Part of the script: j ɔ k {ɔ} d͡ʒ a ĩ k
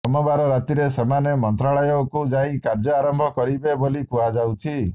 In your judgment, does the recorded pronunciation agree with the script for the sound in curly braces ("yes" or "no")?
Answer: no